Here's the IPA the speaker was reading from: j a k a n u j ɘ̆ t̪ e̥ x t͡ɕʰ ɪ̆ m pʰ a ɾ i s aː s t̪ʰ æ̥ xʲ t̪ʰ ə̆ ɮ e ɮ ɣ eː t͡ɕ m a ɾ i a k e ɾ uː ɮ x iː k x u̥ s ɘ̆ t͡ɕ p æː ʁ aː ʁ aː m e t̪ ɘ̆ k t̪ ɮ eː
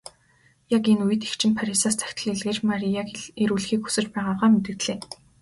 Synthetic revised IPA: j a k e n u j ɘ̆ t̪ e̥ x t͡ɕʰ ɪ̆ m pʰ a ɾ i s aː s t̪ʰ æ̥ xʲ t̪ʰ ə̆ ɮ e ɮ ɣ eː t͡ɕ m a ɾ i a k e ɾ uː ɮ x iː k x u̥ s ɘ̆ t͡ɕ p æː ʁ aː ʁ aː m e t̪ ɘ̆ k t̪ ɮ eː